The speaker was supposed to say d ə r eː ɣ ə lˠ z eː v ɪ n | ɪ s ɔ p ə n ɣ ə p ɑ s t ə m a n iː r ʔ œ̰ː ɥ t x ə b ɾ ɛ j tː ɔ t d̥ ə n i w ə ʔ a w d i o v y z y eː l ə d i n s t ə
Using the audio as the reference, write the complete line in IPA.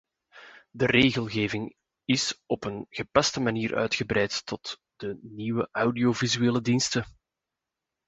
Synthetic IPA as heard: d ə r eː ɣ ə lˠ ɣ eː v ɪ ŋ | ɪ s ɔ p ə n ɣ ə p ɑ s t ə m a n iː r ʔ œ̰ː ɥ t x ə b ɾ ɛ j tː ɔ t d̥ ə n i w ə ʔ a w d i o v i z y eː l ə d i n s t ə